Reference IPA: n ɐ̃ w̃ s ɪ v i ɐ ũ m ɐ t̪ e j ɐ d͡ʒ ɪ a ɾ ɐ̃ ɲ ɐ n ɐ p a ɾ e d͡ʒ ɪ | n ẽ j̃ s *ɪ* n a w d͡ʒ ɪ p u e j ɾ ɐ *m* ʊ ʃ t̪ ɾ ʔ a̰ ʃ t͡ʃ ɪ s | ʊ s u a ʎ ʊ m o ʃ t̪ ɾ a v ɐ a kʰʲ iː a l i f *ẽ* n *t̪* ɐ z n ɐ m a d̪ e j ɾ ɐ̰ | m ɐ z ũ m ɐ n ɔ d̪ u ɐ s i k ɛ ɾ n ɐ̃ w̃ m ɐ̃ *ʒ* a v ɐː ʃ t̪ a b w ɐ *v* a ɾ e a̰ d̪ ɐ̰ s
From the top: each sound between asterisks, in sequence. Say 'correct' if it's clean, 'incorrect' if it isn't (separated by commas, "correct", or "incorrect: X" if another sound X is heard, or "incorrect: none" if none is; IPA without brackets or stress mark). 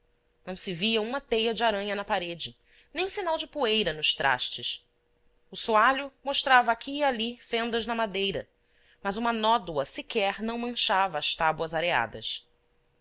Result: incorrect: i, incorrect: n, correct, incorrect: d̪, incorrect: ʃ, incorrect: z